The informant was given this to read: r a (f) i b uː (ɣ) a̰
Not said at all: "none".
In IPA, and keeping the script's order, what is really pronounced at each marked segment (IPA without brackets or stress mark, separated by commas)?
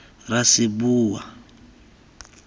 s, w